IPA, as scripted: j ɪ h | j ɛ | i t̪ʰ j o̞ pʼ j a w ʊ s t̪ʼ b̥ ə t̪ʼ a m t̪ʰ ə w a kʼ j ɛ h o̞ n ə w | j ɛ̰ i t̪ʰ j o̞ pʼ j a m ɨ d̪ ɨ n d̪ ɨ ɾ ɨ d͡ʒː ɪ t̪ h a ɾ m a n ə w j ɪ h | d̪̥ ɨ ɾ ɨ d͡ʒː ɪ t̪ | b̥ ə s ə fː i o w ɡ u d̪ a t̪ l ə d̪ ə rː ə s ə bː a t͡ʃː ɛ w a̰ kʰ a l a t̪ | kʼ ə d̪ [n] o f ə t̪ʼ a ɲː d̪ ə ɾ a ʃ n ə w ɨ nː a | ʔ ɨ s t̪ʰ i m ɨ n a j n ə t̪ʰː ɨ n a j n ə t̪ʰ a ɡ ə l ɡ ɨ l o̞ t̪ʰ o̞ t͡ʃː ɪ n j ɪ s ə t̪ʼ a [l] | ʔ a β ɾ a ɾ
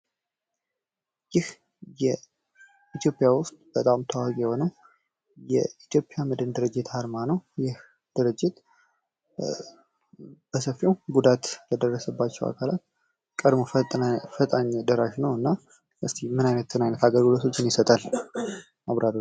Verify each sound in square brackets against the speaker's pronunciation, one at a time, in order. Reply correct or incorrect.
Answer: incorrect, correct

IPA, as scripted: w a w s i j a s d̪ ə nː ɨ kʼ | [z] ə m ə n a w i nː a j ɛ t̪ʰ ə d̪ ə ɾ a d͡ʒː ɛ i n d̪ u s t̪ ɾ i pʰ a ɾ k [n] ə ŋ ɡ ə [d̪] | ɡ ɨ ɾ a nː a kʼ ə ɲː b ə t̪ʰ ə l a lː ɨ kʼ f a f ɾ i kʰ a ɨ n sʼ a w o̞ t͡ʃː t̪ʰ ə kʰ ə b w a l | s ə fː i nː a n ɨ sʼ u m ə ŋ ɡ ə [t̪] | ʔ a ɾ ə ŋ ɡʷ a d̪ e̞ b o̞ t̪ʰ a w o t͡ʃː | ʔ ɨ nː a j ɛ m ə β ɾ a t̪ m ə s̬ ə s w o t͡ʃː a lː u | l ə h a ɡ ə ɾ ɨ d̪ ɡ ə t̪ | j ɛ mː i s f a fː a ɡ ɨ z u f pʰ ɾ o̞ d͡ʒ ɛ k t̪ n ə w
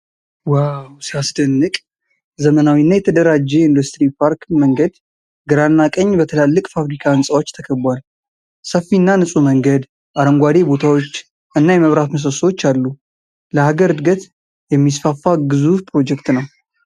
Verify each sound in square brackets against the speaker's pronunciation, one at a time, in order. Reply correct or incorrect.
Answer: correct, incorrect, correct, incorrect

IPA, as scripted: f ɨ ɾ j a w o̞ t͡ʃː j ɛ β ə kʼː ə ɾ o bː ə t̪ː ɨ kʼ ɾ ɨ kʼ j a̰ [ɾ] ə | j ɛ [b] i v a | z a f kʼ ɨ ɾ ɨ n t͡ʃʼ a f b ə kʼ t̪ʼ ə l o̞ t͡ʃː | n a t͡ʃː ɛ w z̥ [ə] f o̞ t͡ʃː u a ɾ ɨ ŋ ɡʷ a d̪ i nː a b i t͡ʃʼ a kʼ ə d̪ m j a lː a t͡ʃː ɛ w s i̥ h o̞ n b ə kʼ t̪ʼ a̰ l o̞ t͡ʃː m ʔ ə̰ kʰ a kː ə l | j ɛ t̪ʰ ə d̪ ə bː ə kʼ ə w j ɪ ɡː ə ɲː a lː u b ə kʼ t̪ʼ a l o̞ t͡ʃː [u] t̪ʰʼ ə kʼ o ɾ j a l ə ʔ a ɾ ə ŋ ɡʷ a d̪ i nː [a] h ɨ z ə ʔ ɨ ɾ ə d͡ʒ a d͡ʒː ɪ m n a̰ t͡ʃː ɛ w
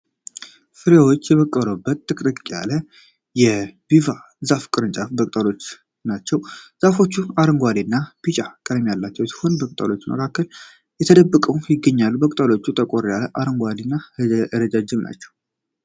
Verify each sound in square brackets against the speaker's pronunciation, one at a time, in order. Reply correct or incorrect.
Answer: incorrect, correct, incorrect, correct, correct

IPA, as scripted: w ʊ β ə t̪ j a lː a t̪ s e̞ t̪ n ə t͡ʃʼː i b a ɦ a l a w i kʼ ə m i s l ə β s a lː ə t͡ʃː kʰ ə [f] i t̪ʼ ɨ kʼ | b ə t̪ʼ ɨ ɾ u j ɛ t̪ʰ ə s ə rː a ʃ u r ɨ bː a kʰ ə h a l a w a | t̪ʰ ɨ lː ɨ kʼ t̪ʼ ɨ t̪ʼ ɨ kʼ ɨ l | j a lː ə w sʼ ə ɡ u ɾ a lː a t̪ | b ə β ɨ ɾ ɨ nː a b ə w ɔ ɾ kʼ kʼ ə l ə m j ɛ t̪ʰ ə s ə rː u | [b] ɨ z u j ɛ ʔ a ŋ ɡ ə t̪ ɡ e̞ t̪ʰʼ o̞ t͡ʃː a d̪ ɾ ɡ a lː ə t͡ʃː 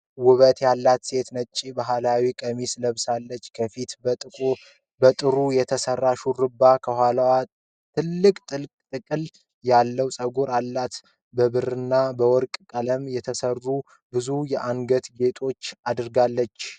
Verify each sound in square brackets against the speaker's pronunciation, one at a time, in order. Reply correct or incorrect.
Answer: correct, correct

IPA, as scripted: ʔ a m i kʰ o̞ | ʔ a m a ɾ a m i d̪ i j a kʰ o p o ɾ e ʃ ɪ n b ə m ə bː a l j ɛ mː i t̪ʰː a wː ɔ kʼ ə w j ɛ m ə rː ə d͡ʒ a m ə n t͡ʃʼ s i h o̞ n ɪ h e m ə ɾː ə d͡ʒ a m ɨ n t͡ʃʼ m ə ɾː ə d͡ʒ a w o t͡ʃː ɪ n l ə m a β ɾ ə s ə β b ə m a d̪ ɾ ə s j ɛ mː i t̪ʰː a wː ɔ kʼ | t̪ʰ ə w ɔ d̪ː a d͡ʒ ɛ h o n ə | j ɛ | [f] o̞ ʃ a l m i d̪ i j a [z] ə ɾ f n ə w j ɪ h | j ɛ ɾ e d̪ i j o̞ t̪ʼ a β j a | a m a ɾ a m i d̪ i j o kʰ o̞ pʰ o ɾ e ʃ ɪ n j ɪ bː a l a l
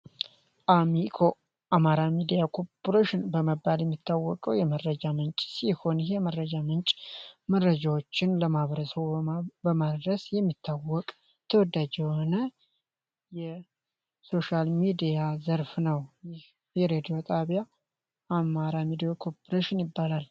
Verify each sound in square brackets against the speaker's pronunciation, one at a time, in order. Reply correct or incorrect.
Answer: incorrect, correct

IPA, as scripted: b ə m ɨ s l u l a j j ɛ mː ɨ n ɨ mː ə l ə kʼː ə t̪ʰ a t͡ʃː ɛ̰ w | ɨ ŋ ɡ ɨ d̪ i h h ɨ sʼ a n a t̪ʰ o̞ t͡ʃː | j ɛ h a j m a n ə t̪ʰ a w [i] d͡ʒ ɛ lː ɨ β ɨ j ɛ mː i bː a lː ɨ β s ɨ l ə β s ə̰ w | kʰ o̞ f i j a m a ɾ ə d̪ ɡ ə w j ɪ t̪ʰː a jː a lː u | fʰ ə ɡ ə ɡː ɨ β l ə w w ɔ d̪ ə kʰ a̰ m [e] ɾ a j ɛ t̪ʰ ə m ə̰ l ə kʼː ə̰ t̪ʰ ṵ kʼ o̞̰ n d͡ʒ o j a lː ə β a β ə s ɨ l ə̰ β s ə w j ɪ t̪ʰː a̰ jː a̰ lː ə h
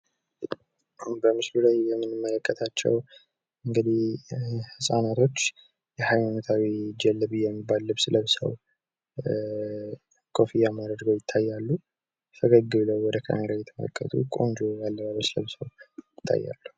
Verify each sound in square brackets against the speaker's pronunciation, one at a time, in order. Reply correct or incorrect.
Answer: correct, correct

